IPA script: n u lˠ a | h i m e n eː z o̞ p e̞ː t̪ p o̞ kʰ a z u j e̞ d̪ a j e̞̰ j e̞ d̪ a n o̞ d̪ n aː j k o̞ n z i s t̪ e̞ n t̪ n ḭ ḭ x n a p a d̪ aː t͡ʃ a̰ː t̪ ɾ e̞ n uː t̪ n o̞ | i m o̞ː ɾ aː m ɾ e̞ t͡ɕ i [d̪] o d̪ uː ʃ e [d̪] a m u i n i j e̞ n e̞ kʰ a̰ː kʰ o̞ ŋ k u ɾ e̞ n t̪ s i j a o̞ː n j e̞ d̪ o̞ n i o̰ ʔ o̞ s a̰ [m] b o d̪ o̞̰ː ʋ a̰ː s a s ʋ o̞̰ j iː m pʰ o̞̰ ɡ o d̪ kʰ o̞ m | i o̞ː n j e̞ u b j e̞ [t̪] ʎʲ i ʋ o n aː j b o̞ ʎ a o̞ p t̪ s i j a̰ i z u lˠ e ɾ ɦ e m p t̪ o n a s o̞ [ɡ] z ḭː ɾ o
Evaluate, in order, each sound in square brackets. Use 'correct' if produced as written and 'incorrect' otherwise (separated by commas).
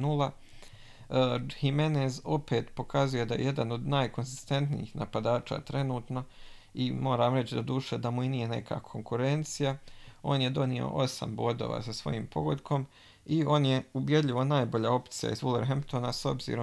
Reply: correct, correct, correct, incorrect, incorrect